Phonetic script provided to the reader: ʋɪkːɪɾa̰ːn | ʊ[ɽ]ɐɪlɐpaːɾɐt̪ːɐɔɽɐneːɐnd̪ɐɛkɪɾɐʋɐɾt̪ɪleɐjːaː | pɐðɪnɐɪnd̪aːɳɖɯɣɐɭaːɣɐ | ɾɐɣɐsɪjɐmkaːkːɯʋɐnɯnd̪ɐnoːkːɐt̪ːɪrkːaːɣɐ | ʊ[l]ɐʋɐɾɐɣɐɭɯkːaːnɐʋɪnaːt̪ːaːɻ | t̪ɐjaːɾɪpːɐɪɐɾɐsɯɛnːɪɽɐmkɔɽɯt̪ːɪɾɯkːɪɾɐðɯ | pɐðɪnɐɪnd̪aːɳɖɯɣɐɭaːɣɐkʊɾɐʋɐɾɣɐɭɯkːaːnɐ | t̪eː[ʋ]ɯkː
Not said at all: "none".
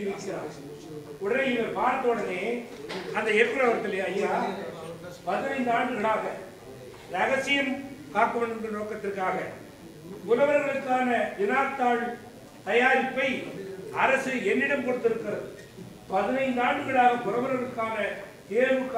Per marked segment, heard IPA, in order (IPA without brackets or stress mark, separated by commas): ɽ, l, ʋ